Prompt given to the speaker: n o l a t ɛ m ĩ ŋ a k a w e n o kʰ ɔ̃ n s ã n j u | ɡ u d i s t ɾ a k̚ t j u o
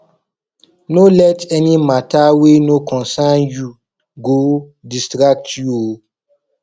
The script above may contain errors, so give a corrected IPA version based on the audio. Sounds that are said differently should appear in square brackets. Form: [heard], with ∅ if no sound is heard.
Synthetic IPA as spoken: n o l [ɛ] t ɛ [n] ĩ [m] a [t] a w e n o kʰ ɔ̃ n s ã n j u | ɡ [o] d i s t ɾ a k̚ t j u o